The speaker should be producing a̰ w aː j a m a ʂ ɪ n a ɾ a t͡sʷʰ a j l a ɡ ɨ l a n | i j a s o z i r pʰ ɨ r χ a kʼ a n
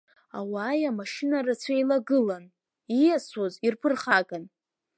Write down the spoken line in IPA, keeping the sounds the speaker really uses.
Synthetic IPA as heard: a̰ w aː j a m a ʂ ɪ n a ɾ a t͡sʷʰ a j l a ɡ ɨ l a n | i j a s o z i r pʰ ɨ r χ a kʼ a n